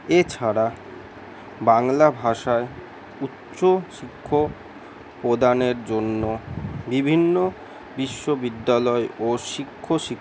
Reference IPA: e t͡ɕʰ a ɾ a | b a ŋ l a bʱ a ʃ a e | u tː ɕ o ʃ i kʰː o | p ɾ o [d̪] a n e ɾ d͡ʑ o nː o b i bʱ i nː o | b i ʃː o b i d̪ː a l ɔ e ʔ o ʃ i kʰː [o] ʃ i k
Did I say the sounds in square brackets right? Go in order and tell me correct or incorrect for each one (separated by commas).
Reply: correct, correct